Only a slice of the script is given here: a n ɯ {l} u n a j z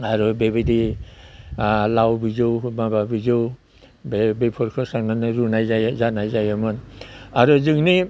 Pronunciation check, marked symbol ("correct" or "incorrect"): incorrect